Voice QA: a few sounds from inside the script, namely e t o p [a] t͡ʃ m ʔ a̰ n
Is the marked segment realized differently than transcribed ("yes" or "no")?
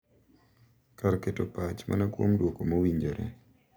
no